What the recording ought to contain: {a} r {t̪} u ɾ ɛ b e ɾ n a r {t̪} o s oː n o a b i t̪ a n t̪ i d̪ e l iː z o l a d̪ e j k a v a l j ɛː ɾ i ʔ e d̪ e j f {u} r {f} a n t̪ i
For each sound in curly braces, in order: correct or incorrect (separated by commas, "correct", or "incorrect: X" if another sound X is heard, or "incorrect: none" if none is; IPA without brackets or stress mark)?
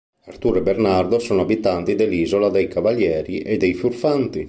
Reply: correct, correct, incorrect: d̪, correct, correct